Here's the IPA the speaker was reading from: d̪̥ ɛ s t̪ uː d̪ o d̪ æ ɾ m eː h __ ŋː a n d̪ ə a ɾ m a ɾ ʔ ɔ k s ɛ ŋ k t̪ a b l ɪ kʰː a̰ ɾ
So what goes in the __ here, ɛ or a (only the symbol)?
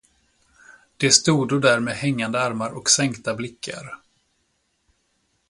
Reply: ɛ